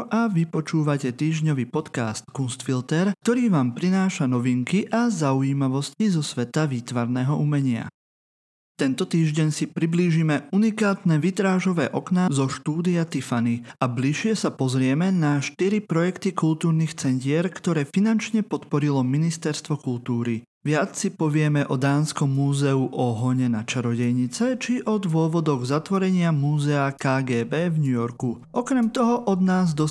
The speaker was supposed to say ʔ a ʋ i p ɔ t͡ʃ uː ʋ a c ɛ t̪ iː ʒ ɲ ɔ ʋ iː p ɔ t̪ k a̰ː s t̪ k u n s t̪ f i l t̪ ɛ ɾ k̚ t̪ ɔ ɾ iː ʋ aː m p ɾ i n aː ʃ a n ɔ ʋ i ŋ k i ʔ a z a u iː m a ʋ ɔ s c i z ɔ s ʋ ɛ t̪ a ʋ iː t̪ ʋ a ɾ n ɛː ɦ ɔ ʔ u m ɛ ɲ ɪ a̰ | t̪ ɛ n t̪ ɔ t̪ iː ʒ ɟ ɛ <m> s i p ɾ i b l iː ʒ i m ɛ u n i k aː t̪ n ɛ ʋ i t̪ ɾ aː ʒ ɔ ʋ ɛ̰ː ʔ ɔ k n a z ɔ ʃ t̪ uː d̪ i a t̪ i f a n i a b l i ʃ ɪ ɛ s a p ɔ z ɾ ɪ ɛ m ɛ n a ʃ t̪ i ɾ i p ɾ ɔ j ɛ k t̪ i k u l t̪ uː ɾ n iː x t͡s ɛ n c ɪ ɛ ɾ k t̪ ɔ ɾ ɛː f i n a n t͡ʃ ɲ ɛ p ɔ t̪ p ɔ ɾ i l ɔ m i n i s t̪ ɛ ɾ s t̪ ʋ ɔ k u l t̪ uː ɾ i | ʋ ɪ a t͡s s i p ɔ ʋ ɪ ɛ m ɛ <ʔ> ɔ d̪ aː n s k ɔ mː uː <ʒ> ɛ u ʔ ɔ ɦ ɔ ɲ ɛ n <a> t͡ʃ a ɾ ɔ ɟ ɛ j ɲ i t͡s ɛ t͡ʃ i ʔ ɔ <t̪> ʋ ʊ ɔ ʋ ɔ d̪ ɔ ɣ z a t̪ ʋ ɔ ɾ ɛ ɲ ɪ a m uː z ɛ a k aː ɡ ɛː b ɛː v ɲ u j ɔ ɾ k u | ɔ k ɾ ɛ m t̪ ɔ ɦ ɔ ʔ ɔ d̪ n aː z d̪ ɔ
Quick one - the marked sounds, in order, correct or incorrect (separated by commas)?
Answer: incorrect, correct, incorrect, correct, incorrect